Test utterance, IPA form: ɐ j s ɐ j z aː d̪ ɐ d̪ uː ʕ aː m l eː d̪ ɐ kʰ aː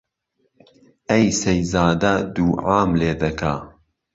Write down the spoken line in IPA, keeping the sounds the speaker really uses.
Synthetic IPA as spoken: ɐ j s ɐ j z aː d̪ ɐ d̪ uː ʕ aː m l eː d̪ ɐ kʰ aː